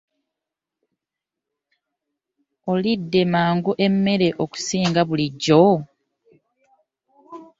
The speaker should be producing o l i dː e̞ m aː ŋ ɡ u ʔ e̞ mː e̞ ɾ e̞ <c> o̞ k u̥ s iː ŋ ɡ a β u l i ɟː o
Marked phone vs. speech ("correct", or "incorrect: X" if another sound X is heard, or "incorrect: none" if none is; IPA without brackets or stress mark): incorrect: ʔ